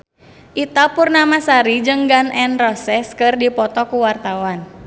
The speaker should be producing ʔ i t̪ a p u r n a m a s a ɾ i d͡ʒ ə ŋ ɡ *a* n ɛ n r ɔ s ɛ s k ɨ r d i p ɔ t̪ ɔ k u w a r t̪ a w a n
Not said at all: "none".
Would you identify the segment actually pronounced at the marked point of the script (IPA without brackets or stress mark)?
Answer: a